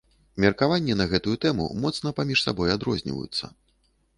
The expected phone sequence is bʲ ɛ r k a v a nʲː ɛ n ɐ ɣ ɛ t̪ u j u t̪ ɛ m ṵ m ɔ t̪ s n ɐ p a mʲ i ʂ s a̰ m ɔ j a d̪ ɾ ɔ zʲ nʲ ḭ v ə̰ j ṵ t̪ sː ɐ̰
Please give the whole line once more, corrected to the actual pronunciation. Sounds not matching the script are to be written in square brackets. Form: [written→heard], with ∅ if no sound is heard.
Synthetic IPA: [bʲ→mʲ] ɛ r k a v a nʲː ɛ n ɐ ɣ ɛ t̪ u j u t̪ ɛ m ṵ m ɔ t̪ s n ɐ p a mʲ i ʂ s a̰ [m→b] ɔ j a d̪ ɾ ɔ zʲ nʲ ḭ v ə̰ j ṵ t̪ sː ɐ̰